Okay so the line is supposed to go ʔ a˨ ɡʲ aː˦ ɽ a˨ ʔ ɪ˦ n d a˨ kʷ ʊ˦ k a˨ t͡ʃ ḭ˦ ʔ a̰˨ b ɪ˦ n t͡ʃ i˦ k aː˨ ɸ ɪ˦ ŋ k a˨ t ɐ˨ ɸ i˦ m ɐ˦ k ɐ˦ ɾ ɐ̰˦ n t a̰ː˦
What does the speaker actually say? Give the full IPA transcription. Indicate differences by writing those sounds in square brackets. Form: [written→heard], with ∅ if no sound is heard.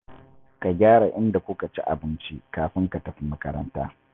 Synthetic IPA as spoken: [ʔ→k] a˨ ɡʲ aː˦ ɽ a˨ ʔ ɪ˦ n d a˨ kʷ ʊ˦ k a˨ t͡ʃ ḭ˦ ʔ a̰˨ b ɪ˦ n t͡ʃ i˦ k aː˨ ɸ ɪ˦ ŋ k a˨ t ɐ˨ ɸ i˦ m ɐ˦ k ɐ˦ ɾ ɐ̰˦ n t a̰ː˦